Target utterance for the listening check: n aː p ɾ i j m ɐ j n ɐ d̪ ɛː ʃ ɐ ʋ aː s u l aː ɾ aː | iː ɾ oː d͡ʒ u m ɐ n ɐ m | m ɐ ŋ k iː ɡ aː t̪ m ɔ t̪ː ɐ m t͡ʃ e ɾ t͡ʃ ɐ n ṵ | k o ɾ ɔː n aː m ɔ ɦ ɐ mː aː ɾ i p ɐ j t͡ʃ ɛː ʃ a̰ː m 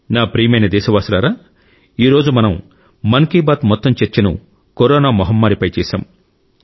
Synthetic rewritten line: n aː p ɾ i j m ɐ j n ɐ d̪ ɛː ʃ ɐ ʋ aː s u l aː ɾ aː | iː ɾ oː d͡ʒ u m ɐ n ɐ m | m ɐ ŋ k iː b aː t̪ m ɔ t̪ː ɐ m t͡ʃ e ɾ t͡ʃ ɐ n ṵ | k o ɾ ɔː n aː m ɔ ɦ ɐ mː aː ɾ i p ɐ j t͡ʃ ɛː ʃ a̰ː m